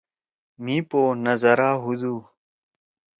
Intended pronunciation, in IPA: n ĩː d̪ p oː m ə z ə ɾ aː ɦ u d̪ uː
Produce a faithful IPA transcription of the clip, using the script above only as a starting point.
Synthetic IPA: m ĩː p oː n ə z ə ɾ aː ɦ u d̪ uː